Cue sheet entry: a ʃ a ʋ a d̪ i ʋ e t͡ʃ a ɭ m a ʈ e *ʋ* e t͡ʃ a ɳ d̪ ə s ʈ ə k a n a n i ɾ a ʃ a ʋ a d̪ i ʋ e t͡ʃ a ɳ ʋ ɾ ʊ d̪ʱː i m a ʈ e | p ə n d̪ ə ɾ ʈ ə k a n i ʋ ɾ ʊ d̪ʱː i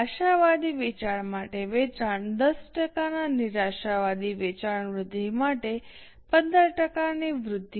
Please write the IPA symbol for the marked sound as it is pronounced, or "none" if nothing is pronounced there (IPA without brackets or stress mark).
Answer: ʋ